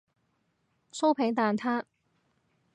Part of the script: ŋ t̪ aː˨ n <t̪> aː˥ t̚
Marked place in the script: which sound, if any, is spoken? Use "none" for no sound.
t̪ʰ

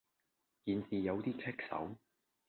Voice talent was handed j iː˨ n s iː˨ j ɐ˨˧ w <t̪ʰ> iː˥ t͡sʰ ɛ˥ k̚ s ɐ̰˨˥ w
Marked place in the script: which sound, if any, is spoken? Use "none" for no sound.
t̪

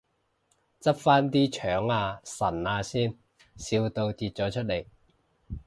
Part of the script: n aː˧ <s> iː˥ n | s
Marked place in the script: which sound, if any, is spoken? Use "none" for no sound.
s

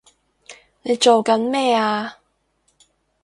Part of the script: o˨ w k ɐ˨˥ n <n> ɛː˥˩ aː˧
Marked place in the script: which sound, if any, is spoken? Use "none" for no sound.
m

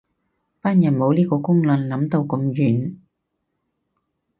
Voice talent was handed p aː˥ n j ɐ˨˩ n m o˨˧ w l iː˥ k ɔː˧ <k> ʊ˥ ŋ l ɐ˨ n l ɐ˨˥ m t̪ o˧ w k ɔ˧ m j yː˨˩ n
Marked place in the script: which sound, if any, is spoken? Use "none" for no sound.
k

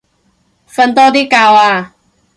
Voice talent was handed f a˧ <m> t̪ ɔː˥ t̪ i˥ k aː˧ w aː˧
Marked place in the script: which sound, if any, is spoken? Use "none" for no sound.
n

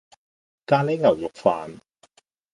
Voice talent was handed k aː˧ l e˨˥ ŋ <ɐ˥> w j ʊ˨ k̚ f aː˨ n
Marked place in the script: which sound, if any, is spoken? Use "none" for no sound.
ɐ˨˩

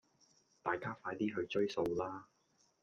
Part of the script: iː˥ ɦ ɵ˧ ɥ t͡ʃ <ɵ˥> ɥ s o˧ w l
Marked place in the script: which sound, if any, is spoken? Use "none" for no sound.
ɵ˥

